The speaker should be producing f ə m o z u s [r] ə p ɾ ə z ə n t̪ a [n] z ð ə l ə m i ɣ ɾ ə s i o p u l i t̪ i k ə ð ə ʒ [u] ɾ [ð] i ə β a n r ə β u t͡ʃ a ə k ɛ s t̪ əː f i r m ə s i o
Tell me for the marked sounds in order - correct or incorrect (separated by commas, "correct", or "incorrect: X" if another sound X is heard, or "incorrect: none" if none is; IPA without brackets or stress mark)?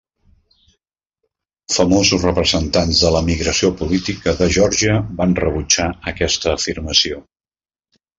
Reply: correct, correct, incorrect: ɔ, incorrect: ʒ